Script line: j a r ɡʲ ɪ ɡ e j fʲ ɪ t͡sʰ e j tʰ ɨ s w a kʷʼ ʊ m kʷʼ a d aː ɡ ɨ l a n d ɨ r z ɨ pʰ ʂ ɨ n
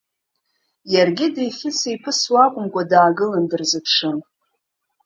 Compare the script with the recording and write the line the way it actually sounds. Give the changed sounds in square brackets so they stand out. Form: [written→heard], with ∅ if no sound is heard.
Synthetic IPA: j a r ɡʲ ɪ [ɡ→d] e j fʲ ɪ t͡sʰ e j [tʰ→pʰ] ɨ s w a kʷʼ ʊ m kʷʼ a d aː ɡ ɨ l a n d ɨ r z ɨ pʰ ʂ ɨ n